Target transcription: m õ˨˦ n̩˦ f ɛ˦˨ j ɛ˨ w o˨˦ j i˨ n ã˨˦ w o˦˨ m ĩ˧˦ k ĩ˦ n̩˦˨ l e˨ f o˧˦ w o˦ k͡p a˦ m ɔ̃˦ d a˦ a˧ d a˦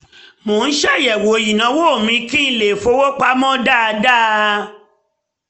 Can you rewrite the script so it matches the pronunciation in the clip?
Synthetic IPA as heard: m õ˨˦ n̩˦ ʃ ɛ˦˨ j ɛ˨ w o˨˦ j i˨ n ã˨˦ w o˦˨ m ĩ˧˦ k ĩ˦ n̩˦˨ l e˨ f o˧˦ w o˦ k͡p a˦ m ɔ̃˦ d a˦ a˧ d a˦

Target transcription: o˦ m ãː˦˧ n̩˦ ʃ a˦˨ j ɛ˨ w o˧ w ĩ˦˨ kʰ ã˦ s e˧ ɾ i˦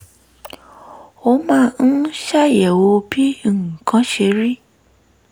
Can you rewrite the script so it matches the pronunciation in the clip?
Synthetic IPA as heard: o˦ m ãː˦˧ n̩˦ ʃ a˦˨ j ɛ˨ w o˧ b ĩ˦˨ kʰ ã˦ ʃ e˧ ɾ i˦

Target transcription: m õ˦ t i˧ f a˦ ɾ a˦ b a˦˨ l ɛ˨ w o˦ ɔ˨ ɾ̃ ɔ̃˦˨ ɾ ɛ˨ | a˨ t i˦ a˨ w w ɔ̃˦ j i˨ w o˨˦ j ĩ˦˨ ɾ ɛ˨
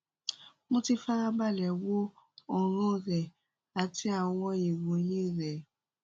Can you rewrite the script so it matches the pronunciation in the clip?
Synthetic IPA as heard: m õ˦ t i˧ f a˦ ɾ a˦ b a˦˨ l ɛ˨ w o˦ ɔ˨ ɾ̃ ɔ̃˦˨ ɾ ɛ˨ | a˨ t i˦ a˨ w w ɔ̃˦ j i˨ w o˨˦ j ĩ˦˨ ɾ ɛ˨

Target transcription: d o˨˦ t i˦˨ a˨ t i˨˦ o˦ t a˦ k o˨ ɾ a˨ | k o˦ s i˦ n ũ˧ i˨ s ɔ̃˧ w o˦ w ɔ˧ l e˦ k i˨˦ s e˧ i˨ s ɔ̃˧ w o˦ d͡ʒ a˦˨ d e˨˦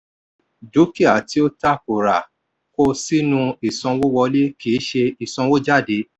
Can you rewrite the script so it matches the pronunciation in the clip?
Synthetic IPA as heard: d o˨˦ k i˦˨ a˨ t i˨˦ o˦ t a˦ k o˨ ɾ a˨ | k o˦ s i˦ n ũ˧ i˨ s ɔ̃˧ w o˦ w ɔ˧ l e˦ k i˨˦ ʃ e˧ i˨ s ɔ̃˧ w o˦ d͡ʒ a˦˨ d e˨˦

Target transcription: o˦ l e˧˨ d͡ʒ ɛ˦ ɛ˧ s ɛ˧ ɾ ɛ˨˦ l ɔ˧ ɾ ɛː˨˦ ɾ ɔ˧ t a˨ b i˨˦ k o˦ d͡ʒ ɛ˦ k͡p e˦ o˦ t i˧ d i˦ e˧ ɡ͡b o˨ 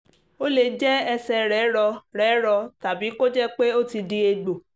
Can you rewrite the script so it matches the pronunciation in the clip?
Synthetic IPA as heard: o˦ l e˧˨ d͡ʒ ɛ˦ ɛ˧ s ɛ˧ ɾ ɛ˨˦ ɾ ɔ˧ ɾ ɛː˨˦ ɾ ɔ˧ t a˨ b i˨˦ k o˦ d͡ʒ ɛ˦ k͡p e˦ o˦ t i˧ d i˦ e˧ ɡ͡b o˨

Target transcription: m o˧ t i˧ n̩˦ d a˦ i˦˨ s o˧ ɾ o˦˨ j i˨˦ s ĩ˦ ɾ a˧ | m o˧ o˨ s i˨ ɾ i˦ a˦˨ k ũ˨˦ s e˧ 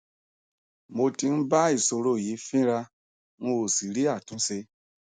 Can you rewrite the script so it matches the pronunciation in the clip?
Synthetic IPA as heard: m o˧ t i˧ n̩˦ b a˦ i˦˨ s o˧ ɾ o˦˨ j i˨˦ f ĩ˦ ɾ a˧ | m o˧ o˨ s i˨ ɾ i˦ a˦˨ t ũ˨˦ s e˧

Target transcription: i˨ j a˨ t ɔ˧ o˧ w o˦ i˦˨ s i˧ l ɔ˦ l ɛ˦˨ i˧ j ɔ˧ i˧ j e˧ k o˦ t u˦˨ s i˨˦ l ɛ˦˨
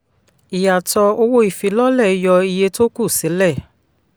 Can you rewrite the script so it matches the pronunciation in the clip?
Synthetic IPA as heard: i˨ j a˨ t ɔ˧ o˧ w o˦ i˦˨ f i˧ l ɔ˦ l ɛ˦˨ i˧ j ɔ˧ i˧ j e˧ t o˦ k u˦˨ s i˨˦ l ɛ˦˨

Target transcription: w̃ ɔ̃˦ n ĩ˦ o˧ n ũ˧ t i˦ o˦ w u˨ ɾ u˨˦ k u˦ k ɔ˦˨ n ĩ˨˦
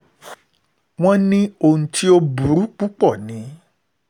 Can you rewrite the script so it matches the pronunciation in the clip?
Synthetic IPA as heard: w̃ ɔ̃˦ n ĩ˦ o˧ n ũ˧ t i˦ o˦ b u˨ ɾ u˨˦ k͡p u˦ k͡p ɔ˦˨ n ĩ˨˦

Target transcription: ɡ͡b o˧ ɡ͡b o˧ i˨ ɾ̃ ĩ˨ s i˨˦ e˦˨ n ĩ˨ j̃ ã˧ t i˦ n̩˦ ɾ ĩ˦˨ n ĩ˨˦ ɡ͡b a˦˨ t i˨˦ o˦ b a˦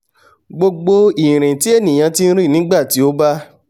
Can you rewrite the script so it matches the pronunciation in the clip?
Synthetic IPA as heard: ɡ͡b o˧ ɡ͡b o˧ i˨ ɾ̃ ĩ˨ t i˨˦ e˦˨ n ĩ˨ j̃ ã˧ t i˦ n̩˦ ɾ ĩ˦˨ n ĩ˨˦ ɡ͡b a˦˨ t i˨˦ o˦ b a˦

